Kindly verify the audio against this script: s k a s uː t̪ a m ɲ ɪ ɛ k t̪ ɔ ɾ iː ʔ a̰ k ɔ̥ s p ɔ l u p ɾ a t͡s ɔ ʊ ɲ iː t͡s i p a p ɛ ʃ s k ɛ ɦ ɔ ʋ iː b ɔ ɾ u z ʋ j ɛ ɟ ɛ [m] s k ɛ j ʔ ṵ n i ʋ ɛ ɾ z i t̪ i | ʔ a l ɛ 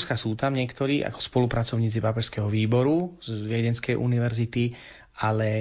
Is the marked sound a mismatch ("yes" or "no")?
yes